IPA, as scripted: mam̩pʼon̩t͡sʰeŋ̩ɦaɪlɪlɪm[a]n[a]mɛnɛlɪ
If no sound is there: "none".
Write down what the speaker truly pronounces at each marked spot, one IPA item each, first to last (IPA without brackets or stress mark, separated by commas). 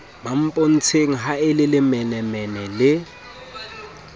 ɛ, ɛ